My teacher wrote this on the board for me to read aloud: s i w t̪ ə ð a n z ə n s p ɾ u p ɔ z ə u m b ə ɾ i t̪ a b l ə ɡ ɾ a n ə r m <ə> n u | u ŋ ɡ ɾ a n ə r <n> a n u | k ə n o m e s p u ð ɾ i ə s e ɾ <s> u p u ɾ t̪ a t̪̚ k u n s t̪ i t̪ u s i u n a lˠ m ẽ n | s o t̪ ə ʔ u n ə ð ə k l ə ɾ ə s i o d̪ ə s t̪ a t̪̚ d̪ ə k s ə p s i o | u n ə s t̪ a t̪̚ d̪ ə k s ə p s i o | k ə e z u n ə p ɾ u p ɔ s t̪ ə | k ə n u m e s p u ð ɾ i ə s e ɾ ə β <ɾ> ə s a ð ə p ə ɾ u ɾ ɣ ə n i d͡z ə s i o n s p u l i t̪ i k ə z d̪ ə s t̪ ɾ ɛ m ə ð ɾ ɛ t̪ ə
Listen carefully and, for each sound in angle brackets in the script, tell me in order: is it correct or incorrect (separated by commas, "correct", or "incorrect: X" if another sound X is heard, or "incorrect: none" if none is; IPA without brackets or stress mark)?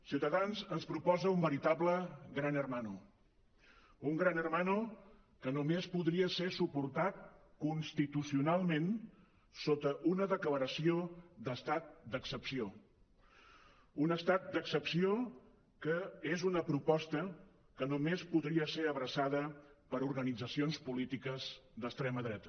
incorrect: a, incorrect: m, correct, correct